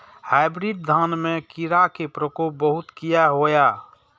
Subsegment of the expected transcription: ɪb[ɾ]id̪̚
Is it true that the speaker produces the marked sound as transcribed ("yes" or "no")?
yes